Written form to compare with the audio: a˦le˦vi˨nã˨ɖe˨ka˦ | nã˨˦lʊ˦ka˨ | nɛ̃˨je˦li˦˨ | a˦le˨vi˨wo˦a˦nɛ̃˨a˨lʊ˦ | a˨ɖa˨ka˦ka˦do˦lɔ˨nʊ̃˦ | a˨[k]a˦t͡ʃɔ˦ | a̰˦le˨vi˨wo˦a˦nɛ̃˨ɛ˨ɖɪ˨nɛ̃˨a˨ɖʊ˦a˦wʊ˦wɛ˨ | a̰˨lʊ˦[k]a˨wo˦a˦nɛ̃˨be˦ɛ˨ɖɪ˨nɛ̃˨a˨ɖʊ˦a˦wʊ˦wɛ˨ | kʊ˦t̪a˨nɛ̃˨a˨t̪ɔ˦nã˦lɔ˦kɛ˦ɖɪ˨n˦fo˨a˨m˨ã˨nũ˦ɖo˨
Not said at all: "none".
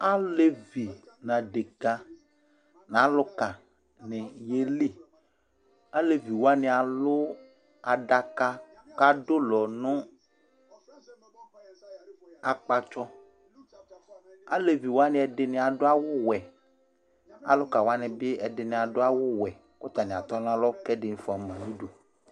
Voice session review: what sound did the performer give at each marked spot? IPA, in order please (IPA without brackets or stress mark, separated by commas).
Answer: k͡p, k